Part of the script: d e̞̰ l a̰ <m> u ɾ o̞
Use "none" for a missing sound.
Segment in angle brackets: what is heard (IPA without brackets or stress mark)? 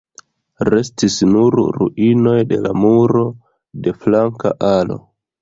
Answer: m